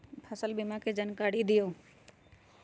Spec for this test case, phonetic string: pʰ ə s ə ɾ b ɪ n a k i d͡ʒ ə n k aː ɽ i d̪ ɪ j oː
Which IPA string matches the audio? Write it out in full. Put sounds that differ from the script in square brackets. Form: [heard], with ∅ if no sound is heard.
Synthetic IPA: pʰ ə s ə [l] b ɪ [m] a k [e] d͡ʒ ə n k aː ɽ i d̪ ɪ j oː